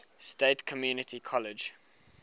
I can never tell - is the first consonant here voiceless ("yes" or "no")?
yes